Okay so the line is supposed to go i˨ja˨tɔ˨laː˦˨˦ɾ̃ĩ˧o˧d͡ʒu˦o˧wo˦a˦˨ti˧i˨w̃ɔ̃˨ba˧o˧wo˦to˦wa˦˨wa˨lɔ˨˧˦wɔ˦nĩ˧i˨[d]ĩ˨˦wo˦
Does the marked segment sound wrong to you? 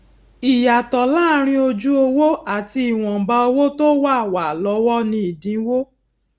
no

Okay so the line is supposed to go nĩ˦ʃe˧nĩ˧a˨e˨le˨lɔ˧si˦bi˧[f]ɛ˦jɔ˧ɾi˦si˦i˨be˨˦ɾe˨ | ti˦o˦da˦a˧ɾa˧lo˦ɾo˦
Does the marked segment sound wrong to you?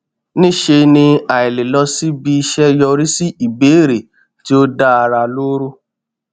yes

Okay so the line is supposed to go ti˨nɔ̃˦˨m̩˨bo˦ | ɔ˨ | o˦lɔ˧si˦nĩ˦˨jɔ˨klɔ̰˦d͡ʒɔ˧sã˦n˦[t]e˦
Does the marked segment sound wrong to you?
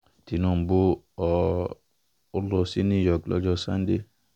yes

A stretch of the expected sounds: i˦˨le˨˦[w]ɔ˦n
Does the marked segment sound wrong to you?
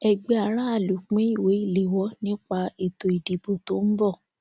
no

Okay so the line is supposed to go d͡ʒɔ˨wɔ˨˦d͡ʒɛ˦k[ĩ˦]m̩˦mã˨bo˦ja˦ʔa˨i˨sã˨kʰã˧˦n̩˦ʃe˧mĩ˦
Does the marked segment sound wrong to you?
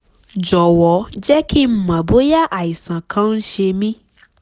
yes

